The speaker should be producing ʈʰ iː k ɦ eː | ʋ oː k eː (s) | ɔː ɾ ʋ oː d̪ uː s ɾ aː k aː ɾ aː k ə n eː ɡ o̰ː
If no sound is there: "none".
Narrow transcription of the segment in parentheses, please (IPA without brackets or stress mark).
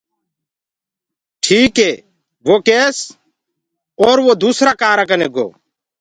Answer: s